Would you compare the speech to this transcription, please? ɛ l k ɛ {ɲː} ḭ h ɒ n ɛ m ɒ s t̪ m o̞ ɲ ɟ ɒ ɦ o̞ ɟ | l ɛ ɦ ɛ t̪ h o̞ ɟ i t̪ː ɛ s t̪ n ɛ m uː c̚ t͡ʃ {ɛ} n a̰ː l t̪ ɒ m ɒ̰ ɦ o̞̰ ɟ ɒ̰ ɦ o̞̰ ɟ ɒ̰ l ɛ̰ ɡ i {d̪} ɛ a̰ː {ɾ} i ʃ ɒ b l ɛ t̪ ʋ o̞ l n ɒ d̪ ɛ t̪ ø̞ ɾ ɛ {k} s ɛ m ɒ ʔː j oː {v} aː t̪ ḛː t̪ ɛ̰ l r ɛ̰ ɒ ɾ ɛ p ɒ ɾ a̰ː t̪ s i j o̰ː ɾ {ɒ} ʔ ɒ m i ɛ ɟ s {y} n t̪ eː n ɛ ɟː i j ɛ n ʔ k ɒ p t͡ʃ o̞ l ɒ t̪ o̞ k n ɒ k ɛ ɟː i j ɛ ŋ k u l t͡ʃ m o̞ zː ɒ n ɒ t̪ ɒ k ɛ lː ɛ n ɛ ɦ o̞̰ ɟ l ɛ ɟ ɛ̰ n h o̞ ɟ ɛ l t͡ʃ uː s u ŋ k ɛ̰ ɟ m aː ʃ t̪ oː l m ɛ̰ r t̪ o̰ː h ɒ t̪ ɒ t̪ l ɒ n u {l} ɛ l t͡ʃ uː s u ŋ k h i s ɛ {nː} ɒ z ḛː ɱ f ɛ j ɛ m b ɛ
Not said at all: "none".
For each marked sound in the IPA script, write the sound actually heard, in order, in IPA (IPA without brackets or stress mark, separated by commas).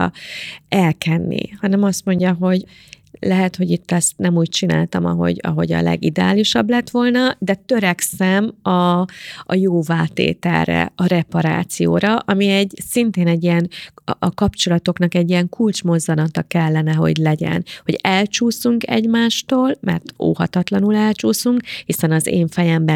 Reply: nː, i, d̪, l, k, v, ɒ, i, l, n